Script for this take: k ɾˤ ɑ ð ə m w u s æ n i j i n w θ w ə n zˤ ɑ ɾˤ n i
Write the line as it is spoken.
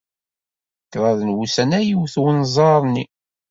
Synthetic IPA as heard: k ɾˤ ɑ ð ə n w u s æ n æ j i w θ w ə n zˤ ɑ ɾˤ n i